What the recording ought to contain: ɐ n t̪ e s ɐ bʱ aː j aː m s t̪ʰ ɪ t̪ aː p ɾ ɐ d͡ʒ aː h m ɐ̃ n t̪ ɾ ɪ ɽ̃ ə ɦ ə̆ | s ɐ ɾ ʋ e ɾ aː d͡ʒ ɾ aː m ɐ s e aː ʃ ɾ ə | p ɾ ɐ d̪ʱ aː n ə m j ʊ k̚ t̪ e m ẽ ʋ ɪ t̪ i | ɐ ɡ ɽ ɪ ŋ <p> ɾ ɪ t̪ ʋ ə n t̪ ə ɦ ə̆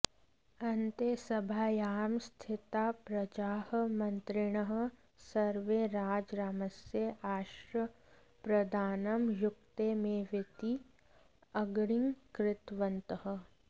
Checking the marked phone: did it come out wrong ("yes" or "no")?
yes